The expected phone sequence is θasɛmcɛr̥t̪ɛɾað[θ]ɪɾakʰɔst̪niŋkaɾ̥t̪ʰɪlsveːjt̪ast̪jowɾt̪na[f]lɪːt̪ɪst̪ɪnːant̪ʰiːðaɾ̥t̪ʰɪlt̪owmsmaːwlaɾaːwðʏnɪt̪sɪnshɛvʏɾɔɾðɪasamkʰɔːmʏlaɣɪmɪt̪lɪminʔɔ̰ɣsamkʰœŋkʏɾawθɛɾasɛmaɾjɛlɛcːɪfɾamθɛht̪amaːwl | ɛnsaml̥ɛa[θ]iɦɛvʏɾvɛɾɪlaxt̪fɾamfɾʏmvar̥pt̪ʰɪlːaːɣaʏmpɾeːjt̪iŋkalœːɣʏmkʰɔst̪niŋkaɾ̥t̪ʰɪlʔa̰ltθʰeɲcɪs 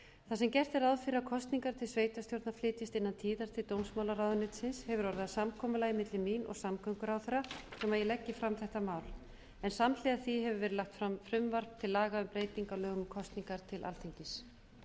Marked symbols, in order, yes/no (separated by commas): no, yes, yes